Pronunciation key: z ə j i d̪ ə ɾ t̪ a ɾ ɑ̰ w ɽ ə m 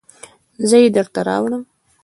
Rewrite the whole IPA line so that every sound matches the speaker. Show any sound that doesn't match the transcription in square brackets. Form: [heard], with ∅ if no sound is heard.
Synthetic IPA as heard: z ə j [e] d̪ ə ɾ t̪ a ɾ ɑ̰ w ɽ ə m